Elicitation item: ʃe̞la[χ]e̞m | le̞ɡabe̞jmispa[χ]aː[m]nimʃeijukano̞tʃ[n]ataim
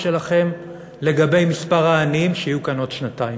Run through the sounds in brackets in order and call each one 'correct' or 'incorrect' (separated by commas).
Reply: correct, incorrect, incorrect, correct